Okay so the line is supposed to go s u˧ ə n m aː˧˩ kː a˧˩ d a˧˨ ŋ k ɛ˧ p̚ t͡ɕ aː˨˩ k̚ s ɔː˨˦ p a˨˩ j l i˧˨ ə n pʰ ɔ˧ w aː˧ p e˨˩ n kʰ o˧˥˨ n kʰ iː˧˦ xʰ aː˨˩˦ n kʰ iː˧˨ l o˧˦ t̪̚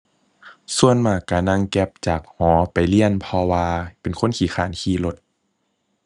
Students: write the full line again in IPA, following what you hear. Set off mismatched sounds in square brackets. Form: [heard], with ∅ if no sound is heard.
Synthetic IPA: s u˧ ə n m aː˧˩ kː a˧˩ [n] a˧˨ ŋ k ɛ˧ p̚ t͡ɕ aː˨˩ k̚ [h] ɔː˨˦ p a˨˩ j l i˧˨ ə n pʰ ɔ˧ w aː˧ p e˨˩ n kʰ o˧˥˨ n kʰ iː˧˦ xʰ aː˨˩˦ n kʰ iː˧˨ l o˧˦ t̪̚

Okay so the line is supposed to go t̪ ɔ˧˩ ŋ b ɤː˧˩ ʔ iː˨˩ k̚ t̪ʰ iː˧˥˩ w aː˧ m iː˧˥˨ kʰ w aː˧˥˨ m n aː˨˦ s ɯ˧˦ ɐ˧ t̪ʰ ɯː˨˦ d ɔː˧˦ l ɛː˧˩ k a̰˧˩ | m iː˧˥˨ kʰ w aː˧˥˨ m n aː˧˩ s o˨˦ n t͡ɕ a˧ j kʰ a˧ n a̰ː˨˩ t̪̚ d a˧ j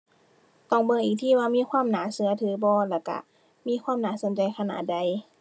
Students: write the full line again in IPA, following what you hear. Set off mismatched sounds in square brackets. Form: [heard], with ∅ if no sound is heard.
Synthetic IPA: t̪ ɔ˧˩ ŋ b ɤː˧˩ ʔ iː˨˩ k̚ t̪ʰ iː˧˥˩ w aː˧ m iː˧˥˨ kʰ w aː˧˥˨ m n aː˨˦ s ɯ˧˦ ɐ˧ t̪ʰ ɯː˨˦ [b] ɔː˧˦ l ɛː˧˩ k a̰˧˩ | m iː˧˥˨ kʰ w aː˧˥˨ m n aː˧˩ s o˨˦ n t͡ɕ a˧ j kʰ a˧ n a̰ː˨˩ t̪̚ d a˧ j

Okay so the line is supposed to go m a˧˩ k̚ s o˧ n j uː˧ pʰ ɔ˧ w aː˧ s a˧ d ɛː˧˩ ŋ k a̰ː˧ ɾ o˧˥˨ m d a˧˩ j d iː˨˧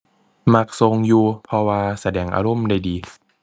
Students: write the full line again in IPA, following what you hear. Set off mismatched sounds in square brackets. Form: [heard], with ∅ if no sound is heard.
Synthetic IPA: m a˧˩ k̚ s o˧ [ŋ] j uː˧ pʰ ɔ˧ w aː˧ s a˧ d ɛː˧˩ ŋ [ʔ] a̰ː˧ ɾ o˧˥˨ m d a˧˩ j d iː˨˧

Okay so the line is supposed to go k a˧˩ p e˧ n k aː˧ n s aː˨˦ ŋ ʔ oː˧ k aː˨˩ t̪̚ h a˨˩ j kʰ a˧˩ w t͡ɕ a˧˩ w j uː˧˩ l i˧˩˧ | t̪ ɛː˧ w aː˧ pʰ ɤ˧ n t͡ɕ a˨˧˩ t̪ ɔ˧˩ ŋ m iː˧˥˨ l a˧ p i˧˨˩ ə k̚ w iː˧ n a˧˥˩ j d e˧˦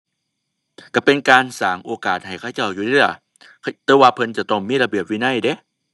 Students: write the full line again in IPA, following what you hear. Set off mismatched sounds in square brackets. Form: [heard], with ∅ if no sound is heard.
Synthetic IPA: k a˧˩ p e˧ n k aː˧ n s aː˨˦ ŋ ʔ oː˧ k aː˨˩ t̪̚ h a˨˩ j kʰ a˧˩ w t͡ɕ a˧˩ w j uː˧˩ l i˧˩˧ | t̪ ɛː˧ w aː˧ pʰ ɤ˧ n t͡ɕ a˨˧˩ t̪ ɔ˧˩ ŋ m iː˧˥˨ l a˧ [b] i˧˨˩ ə [p̚] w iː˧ n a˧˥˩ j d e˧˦

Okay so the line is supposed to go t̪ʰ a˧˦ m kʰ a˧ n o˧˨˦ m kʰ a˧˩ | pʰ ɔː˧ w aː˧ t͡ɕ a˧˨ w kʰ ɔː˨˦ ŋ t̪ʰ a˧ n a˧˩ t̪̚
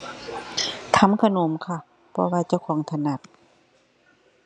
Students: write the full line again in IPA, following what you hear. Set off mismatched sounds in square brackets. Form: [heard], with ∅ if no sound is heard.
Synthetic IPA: t̪ʰ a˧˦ m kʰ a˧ n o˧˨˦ m kʰ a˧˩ | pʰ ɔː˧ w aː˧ t͡ɕ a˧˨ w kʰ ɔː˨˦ ŋ t̪ʰ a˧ n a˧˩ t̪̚

